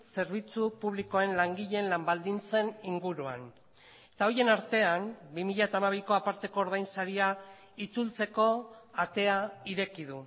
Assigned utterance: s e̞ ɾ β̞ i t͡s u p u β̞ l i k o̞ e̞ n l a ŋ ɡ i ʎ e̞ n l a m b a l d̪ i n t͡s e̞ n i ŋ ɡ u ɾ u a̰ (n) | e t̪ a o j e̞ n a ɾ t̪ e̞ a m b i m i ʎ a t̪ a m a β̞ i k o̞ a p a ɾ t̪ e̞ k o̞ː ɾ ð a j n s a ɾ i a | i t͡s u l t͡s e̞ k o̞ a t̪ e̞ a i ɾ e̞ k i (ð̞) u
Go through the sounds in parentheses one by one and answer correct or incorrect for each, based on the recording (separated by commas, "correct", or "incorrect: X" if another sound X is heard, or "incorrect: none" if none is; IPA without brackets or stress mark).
correct, correct